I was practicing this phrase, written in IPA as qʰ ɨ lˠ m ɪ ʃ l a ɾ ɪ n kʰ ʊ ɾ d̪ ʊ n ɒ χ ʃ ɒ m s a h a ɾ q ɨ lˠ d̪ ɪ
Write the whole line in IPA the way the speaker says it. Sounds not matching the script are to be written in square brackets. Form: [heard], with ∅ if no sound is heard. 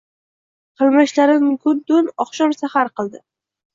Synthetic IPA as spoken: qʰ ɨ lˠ m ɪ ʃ l a ɾ ɪ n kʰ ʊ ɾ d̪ ʊ n ɒ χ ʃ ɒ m s a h a ɾ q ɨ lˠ d̪ ɪ